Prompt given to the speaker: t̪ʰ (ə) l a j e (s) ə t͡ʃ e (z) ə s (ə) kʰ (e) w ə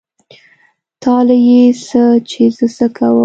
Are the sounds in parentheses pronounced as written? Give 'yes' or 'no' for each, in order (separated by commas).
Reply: no, yes, yes, yes, no